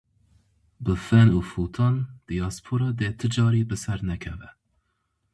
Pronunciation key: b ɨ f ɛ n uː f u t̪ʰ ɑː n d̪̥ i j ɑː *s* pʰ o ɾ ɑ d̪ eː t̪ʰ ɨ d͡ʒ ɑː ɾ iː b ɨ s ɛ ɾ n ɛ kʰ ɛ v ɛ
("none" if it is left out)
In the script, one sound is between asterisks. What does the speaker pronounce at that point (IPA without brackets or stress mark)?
s